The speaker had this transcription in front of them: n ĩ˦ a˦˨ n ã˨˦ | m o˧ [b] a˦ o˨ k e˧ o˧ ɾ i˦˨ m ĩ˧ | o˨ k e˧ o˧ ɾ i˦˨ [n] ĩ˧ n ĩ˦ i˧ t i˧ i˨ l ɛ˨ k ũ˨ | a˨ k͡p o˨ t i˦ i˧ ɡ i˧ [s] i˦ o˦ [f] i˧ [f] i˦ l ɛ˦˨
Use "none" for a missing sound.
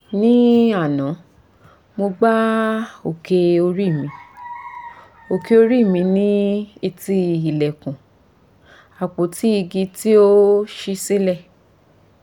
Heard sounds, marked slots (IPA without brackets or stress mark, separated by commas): ɡ͡b, m, t, ʃ, s